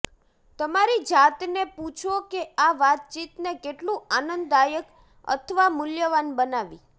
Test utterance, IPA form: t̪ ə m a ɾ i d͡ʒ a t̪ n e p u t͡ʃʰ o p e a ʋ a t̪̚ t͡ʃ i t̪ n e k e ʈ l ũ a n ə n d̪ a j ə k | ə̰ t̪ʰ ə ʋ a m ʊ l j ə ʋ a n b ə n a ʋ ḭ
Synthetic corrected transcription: t̪ ə m a ɾ i d͡ʒ a t̪ n e p u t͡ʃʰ o k e a ʋ a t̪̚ t͡ʃ i t̪ n e k e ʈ l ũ a n ə n d̪ a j ə k | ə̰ t̪ʰ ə ʋ a m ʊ l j ə ʋ a n b ə n a ʋ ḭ